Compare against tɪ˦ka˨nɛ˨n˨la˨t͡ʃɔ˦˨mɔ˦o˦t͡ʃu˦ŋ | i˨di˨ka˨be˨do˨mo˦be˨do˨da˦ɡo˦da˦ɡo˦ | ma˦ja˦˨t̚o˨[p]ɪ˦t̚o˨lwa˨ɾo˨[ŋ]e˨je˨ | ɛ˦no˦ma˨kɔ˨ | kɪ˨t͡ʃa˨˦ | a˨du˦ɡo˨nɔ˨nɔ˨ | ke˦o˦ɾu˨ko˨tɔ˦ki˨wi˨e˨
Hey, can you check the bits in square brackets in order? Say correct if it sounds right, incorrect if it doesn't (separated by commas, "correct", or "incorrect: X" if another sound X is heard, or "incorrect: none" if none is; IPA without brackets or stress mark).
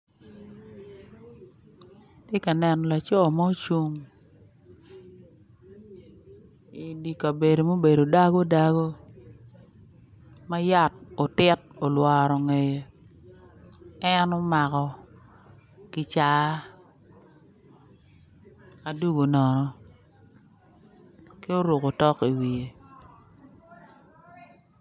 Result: incorrect: t, correct